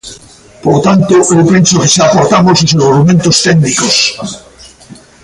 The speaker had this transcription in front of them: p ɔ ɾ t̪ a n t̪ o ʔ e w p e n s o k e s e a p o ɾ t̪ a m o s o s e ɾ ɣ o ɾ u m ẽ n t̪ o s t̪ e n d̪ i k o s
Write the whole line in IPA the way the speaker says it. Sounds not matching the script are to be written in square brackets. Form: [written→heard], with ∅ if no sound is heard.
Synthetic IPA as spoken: p [ɔ→o] ɾ t̪ a n t̪ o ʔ e w p e n s o k e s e a p o ɾ t̪ a m o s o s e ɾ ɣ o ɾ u m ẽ n t̪ o s t̪ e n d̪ i k o s